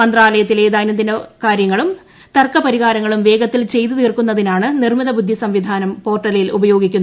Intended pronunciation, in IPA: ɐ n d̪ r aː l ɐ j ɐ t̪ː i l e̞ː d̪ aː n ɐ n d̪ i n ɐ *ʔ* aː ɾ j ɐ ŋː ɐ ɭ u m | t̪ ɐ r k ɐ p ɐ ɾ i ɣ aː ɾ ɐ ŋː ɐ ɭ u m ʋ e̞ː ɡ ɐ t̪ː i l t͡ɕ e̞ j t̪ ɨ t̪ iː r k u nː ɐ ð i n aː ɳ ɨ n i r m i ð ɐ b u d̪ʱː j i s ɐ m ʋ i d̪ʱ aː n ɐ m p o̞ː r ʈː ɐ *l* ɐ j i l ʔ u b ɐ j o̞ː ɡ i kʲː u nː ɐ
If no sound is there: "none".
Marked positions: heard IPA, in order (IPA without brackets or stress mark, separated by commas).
k, l